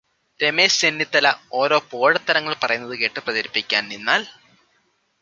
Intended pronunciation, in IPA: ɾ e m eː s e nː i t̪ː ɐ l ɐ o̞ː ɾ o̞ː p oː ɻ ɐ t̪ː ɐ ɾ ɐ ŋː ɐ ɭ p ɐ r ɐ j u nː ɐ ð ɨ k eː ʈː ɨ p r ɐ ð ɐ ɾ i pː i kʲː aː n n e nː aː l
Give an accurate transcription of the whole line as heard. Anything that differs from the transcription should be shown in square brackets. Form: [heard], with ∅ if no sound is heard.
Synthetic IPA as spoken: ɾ e m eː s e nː i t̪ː ɐ l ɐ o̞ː ɾ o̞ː p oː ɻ ɐ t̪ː ɐ ɾ ɐ ŋː ɐ ɭ p ɐ r ɐ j u nː ɐ ð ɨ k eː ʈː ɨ p r ɐ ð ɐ ɾ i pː i kʲː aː n n [i] nː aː l